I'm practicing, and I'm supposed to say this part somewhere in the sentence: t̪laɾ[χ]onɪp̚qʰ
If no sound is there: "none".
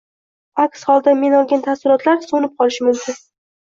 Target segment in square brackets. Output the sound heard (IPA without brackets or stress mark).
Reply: s